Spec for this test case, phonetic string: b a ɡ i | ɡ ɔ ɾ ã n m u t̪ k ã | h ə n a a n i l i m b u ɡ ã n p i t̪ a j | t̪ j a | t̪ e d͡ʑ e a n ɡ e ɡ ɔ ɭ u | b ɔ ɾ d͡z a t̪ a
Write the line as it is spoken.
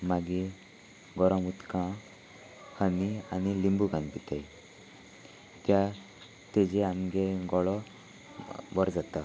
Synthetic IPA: m a ɡ i | ɡ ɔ ɾ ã m u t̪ k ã | h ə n i a n i l i m b u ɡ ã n p i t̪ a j | t̪ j a | t̪ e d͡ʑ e a m ɡ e ɡ ɔ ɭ ɔ | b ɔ ɾ d͡z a t̪ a